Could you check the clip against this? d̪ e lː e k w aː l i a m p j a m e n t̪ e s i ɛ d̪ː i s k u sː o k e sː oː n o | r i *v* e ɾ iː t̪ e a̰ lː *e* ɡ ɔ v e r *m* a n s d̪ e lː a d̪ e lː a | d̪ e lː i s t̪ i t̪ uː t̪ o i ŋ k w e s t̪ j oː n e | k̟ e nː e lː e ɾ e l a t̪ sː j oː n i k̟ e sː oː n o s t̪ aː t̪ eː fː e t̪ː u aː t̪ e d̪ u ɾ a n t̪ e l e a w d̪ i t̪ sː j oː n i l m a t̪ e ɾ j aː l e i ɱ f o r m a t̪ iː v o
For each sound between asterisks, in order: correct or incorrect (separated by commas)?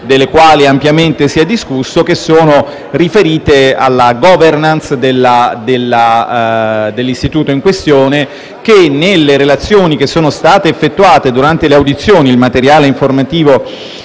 incorrect, incorrect, incorrect